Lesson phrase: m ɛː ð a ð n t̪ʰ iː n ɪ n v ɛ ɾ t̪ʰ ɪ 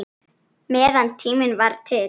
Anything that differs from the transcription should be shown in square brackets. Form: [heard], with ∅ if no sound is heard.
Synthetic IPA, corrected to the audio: m ɛː ð a [∅] n t̪ʰ iː [m] ɪ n v [a] ɾ t̪ʰ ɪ